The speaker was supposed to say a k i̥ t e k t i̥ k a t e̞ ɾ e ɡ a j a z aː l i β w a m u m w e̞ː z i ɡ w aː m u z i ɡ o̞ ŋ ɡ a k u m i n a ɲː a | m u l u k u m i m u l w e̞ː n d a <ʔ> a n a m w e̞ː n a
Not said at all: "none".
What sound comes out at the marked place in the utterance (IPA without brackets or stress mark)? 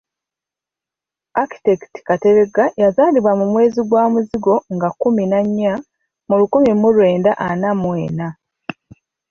ʔ